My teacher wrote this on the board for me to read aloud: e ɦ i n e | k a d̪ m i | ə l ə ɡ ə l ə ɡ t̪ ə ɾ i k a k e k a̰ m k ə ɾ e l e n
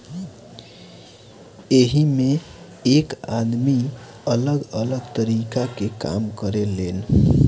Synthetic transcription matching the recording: e ɦ i m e | k a d̪ m i | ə l ə ɡ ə l ə ɡ t̪ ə ɾ i k a k e k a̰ m k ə ɾ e l e n